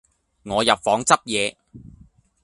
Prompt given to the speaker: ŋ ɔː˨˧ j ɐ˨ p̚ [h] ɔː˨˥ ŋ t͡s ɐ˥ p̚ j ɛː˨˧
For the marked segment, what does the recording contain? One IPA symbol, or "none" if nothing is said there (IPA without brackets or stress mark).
f